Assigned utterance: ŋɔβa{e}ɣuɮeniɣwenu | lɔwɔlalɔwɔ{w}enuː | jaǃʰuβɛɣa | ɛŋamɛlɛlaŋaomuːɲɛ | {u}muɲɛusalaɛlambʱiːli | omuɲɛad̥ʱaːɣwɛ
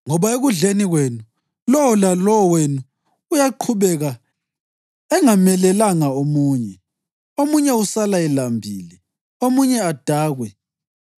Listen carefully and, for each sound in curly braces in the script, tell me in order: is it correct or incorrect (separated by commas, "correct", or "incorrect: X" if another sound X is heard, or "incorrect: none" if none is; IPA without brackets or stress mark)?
correct, correct, incorrect: o